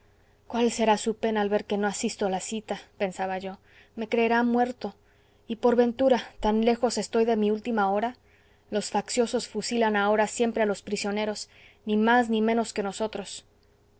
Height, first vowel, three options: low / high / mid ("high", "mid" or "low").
low